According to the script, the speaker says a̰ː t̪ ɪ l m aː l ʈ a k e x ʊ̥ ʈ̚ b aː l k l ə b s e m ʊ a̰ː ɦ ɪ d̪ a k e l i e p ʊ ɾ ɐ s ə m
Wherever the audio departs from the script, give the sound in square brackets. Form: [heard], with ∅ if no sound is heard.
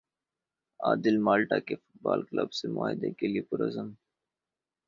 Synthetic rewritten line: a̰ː [d̪] ɪ l m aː l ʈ a k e [f] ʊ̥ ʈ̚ b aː l k l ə b s e m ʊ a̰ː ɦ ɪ d̪ [e] k e l i e p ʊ ɾ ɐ [z] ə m